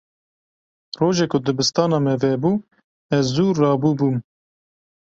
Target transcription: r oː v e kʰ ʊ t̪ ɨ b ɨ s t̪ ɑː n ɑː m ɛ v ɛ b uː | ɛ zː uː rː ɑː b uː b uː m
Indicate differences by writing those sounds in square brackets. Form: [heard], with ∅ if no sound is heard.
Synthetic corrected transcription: r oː [ʒ] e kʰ ʊ [d̪] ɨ b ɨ s t̪ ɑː n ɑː m ɛ v ɛ b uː | ɛ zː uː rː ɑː b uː b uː m